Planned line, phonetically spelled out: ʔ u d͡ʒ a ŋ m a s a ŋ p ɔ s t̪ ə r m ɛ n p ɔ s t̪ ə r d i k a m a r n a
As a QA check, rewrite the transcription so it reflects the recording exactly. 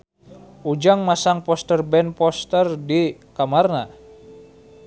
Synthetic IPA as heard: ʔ u d͡ʒ a ŋ m a s a ŋ p ɔ s t̪ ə r b ɛ n p ɔ s t̪ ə r d i k a m a r n a